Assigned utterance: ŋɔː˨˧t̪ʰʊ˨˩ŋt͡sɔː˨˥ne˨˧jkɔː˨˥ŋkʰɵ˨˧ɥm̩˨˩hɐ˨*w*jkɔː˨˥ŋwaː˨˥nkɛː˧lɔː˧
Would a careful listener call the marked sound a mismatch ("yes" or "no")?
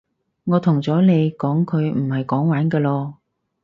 yes